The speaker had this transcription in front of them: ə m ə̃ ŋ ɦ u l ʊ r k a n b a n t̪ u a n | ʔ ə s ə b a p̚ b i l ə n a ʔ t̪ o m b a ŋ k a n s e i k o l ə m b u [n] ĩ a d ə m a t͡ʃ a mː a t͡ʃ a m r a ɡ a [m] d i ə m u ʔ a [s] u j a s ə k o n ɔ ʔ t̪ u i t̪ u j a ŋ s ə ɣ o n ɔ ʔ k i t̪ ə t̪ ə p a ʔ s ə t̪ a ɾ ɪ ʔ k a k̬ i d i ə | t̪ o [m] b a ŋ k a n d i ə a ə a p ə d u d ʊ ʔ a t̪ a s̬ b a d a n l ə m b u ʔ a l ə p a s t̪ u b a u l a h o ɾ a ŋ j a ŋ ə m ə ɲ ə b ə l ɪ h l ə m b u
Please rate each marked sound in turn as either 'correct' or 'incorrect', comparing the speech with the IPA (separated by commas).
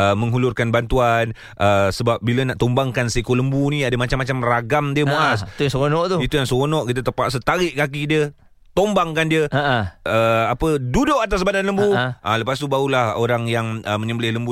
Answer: correct, correct, correct, correct